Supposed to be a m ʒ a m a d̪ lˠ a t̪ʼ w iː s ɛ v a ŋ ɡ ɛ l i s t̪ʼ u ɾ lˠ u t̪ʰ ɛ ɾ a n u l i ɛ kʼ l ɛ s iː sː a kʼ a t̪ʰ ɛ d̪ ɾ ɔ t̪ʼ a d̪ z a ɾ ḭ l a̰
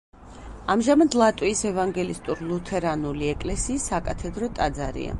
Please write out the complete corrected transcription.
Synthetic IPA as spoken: a m ʒ a m a d̪ lˠ a t̪ʼ w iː s ɛ v a ŋ ɡ ɛ l i s t̪ʼ u ɾ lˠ u t̪ʰ ɛ ɾ a n u l i ɛ kʼ l ɛ s iː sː a kʼ a t̪ʰ ɛ d̪ ɾ ɔ t̪ʼ a d̪ z a ɾ ḭ a̰

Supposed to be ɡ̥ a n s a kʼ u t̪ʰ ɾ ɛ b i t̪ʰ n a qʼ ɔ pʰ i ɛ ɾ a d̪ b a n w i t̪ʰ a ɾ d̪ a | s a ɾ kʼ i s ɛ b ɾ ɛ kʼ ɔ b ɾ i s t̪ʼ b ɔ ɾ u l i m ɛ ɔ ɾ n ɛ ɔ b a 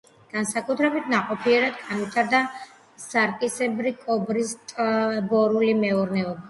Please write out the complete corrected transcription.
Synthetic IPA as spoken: ɡ̥ a n s a kʼ u t̪ʰ ɾ ɛ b i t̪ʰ n a qʼ ɔ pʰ i ɛ ɾ a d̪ ɡ a n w i t̪ʰ a ɾ d̪ a | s a ɾ kʼ i s ɛ b ɾ i kʼ ɔ b ɾ i s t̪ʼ b ɔ ɾ u l i m ɛ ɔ ɾ n ɛ ɔ b a

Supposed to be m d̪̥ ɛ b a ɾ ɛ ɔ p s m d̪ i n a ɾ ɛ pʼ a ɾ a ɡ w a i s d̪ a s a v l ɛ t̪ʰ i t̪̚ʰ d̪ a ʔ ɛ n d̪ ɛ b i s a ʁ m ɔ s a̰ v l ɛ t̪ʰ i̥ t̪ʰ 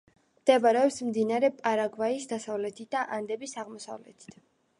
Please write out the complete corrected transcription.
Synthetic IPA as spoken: m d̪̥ ɛ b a ɾ ɛ ɔ p s m d̪ i n a ɾ ɛ pʼ a ɾ a ɡ v a i s d̪ a s a v l ɛ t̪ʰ i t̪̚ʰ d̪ a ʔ a n d̪ ɛ b i s a ʁ m ɔ s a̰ v l ɛ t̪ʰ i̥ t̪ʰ

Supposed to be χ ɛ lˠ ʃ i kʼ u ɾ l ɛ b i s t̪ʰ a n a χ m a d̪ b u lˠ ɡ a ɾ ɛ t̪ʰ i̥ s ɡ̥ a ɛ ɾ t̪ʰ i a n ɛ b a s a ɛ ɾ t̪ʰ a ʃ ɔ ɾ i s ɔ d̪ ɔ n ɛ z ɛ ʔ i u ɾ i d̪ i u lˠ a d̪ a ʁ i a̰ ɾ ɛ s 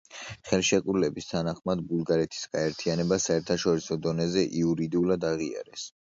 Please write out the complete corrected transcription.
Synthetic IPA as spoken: χ ɛ lˠ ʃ ɛ kʼ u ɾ l ɛ b i s t̪ʰ a n a χ m a d̪ b u lˠ ɡ a ɾ ɛ t̪ʰ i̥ s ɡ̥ a ɛ ɾ t̪ʰ i a n ɛ b a s a ɛ ɾ t̪ʰ a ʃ ɔ ɾ i s ɔ d̪ ɔ n ɛ z ɛ ʔ i u ɾ i d̪ i u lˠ a d̪ a ʁ i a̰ ɾ ɛ s

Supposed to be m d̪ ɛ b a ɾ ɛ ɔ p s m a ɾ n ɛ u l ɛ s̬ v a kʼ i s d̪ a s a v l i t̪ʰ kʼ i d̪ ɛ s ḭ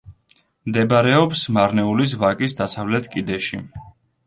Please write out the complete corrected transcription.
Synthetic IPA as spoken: m d̪ ɛ b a ɾ ɛ ɔ p s m a ɾ n ɛ u l i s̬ v a kʼ i s d̪ a s a v l ɛ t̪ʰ kʼ i d̪ ɛ ʃ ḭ

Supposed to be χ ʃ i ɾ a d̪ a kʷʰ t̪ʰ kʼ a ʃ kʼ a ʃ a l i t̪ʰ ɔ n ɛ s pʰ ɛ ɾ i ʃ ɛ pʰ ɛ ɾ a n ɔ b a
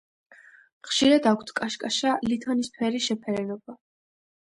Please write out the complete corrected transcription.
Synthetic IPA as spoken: χ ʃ i ɾ a d̪ a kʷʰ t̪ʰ kʼ a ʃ kʼ a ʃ a l i t̪ʰ ɔ n i s pʰ ɛ ɾ i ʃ ɛ pʰ ɛ ɾ ɛ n ɔ b a

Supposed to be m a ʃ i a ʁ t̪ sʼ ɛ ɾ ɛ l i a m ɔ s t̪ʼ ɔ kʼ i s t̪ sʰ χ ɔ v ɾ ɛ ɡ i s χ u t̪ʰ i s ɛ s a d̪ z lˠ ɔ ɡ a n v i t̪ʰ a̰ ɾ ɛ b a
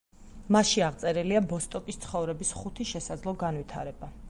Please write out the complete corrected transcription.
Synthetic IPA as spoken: m a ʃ i a ʁ t̪ sʼ ɛ ɾ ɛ l i a b ɔ s t̪ʼ ɔ kʼ i s t̪ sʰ χ ɔ v ɾ ɛ b i s χ u t̪ʰ i ʃ ɛ s a d̪ z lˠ ɔ ɡ a n v i t̪ʰ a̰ ɾ ɛ b a

